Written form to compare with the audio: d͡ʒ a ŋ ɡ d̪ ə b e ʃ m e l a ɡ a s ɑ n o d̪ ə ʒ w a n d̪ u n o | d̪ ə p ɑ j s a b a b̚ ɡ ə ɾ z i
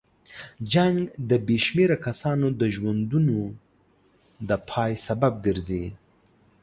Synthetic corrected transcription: d͡ʒ a ŋ ɡ d̪ ə b e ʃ m e ɾ a k a s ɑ n o d̪ ə ʒ w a n d̪ u n o | d̪ ə pʰ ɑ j s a b a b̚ ɡ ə ɾ z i